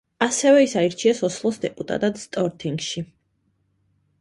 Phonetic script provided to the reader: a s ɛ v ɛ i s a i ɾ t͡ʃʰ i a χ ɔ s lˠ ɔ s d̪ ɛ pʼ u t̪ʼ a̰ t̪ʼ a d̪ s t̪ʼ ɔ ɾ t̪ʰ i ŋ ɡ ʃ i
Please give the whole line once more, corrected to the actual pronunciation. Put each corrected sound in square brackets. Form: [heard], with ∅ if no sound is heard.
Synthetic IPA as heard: a s ɛ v ɛ i s a i ɾ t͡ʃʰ i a [s] ɔ s lˠ ɔ s d̪ ɛ pʼ u t̪ʼ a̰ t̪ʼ a d̪ s t̪ʼ ɔ ɾ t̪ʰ i ŋ ɡ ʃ i